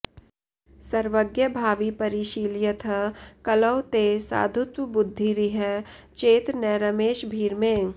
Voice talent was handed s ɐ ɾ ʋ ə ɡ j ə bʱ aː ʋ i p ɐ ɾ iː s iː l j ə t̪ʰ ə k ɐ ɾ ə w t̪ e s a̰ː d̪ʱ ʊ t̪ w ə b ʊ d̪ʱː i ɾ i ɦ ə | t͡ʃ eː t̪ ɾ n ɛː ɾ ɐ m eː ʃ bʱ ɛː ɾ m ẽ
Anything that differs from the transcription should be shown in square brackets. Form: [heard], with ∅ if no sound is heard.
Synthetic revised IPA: s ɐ ɾ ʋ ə ɡ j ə bʱ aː ʋ i p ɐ ɾ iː [ʃ] iː l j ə t̪ʰ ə k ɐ [l] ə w t̪ e s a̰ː d̪ʱ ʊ t̪ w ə b ʊ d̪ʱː i ɾ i ɦ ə | t͡ʃ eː t̪ ɾ n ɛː ɾ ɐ m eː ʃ bʱ [iː] ɾ m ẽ